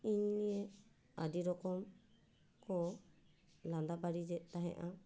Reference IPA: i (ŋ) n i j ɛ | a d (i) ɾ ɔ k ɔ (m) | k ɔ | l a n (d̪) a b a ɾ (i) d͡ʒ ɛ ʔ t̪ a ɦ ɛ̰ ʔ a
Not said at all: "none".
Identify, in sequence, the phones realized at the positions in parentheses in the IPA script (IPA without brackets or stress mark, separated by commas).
ɲ, i, m, d̪, i